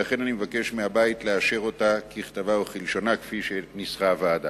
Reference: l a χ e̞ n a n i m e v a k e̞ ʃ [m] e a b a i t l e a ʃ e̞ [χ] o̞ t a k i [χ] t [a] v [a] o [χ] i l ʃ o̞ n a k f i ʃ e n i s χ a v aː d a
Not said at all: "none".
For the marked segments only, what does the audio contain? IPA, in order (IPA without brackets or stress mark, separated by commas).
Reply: m, ʁ, χ, a, a, χ